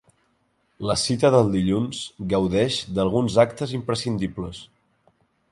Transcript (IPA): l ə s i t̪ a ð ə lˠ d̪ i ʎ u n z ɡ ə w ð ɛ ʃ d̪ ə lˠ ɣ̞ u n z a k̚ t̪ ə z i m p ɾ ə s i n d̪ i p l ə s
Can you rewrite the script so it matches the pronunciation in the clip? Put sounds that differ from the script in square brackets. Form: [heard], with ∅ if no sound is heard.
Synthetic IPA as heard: l ə s i t̪ [ə] ð ə lˠ d̪ i ʎ u n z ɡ ə w ð ɛ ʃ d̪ ə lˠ ɣ̞ u n z a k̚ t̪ ə z i m p ɾ ə s i n d̪ i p l ə s